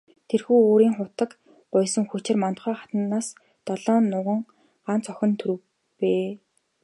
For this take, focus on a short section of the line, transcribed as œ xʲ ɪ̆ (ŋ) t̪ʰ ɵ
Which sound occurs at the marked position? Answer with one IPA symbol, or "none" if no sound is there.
n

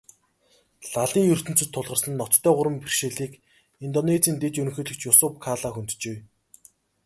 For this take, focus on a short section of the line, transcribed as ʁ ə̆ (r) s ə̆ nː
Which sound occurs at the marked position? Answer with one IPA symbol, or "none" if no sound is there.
r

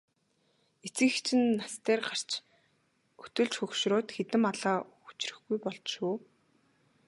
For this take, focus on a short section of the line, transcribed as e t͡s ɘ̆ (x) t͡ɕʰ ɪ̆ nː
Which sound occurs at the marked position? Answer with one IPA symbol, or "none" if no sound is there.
x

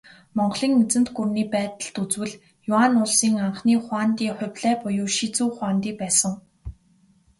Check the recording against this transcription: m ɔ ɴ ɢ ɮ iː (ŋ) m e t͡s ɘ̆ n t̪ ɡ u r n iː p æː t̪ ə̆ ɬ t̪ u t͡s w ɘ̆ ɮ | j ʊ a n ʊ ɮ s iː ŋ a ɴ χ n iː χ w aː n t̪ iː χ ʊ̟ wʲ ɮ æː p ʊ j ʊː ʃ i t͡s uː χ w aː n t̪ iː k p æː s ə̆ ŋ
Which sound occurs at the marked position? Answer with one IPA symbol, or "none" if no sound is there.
ŋ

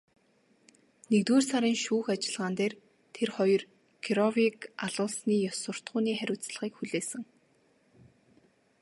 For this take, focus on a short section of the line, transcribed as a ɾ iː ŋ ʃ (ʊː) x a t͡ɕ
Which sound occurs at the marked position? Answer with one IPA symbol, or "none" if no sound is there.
uː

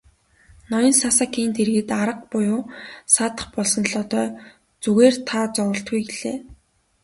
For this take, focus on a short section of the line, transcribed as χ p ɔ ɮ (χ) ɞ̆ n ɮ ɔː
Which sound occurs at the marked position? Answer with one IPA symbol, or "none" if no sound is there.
s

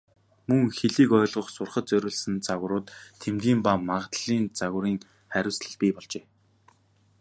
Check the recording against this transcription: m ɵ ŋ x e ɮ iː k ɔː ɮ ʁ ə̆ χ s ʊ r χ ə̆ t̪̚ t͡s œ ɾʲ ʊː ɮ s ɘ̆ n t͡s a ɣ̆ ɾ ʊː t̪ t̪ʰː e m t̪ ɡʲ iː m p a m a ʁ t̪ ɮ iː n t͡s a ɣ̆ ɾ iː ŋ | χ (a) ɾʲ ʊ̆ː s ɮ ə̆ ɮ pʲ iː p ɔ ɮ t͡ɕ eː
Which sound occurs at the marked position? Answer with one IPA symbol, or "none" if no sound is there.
æ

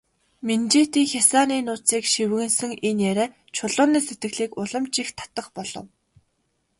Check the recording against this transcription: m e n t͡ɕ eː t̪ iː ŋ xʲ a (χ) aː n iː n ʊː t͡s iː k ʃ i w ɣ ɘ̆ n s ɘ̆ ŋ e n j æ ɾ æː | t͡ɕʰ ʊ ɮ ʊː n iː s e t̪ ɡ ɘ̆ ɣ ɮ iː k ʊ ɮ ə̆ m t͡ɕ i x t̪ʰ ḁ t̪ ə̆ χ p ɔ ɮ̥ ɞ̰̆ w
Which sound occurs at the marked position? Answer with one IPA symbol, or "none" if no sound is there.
s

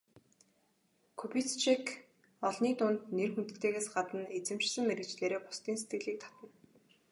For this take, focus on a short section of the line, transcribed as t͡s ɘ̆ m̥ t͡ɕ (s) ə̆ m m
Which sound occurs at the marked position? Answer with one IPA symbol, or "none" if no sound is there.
s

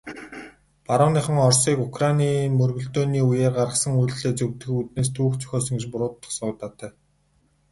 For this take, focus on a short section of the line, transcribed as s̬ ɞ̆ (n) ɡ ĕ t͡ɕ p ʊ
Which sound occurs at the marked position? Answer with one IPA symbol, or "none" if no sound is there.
ŋ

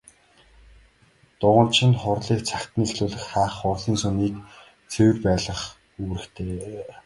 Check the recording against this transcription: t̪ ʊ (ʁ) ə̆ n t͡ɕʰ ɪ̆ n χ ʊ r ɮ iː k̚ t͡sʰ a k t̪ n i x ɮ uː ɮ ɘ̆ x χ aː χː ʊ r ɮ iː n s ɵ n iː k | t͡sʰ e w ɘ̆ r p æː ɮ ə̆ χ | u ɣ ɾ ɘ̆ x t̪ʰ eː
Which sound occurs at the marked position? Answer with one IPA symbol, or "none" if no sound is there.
ʁ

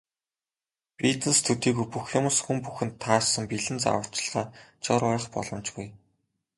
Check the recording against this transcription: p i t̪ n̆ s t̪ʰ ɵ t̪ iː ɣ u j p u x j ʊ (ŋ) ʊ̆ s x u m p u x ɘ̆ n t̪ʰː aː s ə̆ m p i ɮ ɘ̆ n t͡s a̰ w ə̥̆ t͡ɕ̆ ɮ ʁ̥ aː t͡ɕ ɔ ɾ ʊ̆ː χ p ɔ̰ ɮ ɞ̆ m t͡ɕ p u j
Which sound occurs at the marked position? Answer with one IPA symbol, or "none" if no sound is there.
m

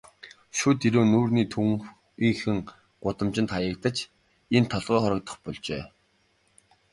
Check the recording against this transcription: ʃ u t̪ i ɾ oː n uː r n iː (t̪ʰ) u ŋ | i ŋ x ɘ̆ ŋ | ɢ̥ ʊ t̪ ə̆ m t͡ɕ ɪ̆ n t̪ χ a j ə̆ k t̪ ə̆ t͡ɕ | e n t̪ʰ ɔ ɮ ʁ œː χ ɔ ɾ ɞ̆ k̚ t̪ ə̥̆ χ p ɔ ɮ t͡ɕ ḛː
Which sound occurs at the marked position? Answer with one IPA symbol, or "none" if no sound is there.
t̪ʰ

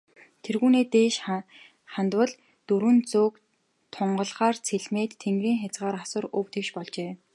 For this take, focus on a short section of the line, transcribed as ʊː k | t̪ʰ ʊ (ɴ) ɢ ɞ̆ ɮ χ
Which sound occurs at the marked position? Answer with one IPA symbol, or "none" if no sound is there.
ɴ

